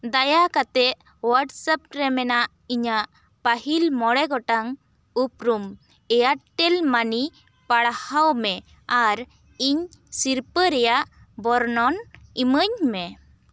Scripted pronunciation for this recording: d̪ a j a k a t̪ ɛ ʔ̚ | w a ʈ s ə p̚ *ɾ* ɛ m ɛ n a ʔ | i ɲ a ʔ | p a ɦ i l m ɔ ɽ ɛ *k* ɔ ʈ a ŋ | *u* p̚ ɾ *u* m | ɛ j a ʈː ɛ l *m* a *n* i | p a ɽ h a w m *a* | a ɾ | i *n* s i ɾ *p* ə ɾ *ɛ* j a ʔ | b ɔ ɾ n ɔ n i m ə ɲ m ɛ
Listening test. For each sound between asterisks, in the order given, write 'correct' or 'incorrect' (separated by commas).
correct, incorrect, correct, correct, correct, correct, incorrect, incorrect, correct, correct